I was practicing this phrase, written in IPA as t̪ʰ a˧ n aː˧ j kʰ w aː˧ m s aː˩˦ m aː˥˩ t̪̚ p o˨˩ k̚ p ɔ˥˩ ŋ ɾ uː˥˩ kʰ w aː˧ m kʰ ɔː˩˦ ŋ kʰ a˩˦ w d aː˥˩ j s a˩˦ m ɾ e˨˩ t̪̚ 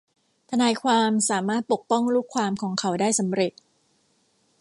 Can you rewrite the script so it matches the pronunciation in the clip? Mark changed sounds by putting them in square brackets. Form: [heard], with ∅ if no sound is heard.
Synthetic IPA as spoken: t̪ʰ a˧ n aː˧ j kʰ w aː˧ m s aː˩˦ m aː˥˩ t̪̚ p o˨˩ k̚ p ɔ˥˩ ŋ ɾ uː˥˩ kʰ w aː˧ m kʰ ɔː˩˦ ŋ kʰ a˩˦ w d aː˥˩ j s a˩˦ m ɾ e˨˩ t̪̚

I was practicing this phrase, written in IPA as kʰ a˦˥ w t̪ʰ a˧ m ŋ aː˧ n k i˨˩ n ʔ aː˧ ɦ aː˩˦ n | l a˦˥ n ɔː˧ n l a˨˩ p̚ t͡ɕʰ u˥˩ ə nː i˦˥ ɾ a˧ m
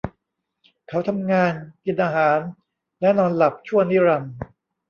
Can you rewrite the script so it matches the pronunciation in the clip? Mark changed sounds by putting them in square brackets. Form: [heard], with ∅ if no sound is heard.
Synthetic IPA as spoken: kʰ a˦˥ w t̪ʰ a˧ m ŋ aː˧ n k i˨˩ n ʔ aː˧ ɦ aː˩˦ n | l [ɛ˦˥] n ɔː˧ n l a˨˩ p̚ t͡ɕʰ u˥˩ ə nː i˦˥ ɾ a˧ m

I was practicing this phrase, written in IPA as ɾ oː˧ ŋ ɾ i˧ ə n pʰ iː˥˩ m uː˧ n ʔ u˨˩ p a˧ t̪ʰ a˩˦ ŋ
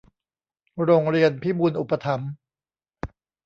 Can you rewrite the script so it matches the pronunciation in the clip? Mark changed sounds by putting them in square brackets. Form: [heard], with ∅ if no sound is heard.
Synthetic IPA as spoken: ɾ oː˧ ŋ ɾ i˧ ə n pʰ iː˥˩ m uː˧ n ʔ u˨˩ p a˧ t̪ʰ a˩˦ [m]

